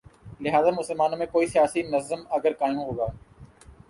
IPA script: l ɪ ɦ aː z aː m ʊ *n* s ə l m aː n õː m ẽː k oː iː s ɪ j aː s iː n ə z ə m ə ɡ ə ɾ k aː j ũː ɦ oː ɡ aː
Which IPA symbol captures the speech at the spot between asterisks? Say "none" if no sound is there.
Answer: none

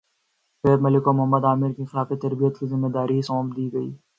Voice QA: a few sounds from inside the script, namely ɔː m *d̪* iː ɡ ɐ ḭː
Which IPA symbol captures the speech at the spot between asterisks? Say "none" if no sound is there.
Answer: d̪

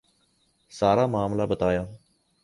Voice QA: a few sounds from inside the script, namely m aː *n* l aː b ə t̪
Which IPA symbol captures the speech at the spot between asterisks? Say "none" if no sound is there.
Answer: m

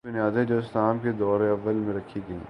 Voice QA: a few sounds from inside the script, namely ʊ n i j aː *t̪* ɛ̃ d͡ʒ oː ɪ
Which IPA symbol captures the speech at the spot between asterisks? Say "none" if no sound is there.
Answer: d̪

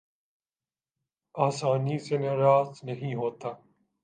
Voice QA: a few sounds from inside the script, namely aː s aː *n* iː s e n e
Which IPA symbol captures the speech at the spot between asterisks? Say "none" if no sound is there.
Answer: n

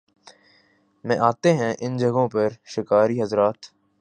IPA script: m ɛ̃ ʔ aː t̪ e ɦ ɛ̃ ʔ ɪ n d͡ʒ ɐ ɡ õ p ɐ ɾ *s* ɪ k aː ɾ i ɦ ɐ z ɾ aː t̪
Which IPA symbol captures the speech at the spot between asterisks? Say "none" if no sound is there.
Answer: ʃ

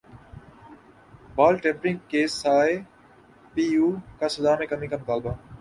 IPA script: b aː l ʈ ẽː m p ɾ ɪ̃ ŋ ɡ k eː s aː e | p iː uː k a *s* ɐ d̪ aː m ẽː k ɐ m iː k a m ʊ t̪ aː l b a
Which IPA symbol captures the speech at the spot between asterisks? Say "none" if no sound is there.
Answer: s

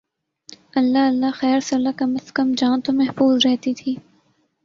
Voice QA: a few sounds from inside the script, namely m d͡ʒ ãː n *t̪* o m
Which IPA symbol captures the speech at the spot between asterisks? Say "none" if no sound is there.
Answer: t̪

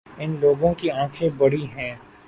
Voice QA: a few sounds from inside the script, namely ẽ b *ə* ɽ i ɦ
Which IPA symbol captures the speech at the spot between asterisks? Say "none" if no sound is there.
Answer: ɐ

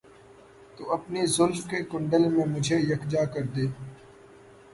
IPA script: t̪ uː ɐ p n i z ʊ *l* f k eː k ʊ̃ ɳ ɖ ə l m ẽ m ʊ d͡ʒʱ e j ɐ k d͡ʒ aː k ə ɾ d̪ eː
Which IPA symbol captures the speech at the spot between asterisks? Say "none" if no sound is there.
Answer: l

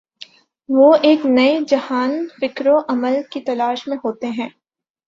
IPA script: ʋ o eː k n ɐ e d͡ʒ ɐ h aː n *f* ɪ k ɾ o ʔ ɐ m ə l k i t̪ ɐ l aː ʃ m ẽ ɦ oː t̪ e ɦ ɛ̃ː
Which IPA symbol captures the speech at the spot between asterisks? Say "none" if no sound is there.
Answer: f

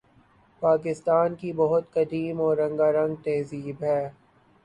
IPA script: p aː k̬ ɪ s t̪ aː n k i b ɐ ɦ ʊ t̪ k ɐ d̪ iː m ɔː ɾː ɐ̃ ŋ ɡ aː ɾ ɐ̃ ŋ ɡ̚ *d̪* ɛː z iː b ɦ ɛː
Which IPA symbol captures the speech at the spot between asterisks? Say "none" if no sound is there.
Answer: t̪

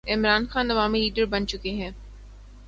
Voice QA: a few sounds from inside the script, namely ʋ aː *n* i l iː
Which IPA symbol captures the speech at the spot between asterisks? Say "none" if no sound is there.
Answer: m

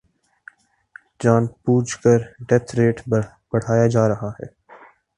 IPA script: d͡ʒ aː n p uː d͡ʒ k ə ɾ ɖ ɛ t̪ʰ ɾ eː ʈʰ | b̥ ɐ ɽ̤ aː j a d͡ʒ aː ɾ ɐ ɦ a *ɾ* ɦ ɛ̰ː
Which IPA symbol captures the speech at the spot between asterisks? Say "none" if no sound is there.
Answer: none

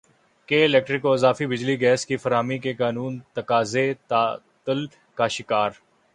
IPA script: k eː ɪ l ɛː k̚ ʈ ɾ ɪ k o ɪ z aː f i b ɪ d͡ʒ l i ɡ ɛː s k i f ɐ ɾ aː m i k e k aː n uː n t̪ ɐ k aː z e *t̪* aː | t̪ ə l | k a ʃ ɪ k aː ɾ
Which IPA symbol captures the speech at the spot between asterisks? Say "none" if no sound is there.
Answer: t̪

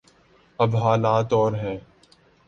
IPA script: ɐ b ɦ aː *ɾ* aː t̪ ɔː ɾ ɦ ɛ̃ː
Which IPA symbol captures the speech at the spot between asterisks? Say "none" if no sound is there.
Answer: l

